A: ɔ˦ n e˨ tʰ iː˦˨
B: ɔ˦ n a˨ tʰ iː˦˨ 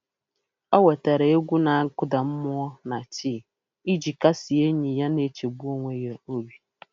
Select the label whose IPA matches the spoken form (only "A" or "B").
B